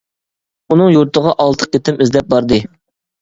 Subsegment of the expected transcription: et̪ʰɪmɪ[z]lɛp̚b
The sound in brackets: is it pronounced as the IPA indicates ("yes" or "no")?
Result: yes